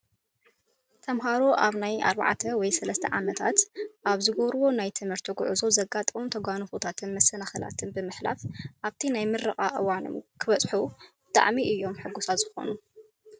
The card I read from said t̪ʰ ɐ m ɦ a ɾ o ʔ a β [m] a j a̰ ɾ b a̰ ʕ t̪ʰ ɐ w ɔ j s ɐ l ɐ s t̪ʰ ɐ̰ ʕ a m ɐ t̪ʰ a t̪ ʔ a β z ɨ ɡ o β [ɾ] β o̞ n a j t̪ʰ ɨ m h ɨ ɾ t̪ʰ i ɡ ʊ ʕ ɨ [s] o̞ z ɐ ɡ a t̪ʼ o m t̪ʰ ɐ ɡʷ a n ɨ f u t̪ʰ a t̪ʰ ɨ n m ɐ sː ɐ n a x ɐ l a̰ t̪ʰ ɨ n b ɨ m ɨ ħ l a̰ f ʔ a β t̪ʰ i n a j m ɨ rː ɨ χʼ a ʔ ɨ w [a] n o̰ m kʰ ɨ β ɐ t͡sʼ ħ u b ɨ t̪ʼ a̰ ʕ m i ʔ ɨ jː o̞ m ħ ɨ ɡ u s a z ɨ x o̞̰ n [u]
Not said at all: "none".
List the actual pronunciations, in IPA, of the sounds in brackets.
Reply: n, ɾ, z, a, u

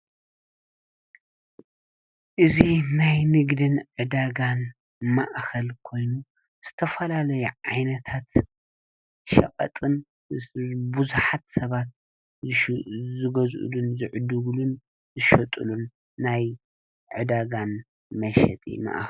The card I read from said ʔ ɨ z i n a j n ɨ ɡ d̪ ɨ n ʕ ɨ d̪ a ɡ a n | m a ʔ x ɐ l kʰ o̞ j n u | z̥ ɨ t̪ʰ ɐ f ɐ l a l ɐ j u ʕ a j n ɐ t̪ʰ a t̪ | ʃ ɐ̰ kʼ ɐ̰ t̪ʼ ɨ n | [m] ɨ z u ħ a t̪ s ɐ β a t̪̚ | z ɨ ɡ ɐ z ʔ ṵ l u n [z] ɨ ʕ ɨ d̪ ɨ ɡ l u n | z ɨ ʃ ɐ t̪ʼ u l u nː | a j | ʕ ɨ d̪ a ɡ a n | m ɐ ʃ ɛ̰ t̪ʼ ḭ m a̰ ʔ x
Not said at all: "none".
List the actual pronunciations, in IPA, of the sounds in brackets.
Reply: b, z

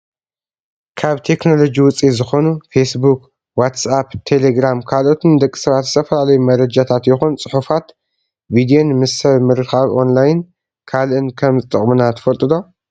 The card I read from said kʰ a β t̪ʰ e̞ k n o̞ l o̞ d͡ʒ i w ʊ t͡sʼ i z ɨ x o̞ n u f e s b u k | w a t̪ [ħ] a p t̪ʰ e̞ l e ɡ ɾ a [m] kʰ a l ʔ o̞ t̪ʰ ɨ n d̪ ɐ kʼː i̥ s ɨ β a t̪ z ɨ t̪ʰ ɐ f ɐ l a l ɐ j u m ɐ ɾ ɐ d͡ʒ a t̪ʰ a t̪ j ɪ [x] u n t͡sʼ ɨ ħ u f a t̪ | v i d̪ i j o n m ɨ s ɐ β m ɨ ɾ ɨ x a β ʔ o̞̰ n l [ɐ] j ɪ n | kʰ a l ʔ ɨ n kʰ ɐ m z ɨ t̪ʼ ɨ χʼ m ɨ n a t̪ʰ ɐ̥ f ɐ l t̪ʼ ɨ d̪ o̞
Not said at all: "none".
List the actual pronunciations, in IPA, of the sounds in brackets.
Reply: s, m, x, a

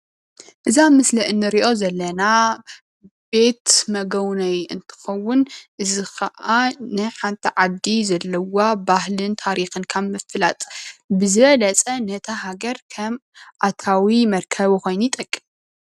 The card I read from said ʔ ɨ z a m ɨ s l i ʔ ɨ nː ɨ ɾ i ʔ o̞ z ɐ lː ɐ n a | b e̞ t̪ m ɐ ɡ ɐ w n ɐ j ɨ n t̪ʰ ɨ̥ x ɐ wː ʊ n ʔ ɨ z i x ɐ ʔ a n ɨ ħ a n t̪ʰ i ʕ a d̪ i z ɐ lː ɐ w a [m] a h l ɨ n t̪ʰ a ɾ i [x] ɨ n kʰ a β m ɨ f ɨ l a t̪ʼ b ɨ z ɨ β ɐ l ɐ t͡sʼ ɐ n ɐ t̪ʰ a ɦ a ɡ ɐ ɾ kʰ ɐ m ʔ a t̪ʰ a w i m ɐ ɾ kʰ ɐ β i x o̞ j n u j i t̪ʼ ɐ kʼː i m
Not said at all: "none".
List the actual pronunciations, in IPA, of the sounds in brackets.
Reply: b, x

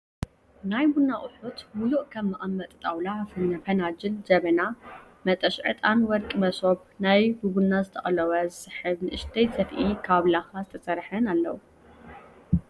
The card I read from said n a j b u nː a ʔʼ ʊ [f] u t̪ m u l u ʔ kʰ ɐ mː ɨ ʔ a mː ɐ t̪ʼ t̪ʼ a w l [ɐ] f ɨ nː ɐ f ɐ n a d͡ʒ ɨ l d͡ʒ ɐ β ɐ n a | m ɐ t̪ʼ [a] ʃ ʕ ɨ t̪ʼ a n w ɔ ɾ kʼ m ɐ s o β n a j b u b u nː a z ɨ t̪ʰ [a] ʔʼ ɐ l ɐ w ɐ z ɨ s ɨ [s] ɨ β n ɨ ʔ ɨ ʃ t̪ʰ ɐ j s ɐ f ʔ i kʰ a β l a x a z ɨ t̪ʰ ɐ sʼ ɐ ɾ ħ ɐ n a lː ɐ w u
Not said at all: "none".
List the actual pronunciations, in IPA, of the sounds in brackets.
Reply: ħ, a, ɐ, ɐ, ħ

